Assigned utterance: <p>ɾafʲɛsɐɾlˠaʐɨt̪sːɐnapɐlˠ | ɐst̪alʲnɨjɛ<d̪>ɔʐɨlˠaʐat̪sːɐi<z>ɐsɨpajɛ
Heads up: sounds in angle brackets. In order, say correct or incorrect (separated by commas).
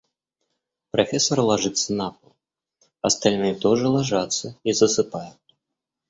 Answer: correct, incorrect, correct